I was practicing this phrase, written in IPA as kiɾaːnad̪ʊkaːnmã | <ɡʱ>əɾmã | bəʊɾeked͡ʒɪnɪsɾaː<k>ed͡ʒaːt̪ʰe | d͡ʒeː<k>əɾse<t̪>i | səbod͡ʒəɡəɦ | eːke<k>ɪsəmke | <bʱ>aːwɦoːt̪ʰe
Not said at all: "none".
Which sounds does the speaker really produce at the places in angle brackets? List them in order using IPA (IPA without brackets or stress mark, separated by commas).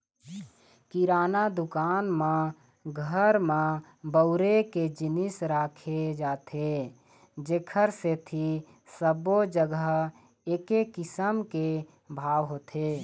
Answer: ɡʱ, kʰ, kʰ, t̪ʰ, k, bʱ